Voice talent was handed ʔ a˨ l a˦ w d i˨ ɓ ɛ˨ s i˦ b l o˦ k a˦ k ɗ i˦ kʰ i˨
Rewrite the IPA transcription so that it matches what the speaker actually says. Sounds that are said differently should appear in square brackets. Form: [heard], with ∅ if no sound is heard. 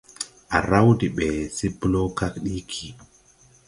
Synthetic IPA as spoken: ʔ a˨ [ɾ] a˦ w d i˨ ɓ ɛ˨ s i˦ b l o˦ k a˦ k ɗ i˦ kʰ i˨